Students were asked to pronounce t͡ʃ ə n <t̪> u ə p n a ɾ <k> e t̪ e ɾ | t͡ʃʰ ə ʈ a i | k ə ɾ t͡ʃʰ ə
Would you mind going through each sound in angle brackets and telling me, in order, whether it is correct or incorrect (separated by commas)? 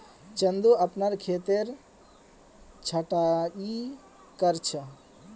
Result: incorrect, incorrect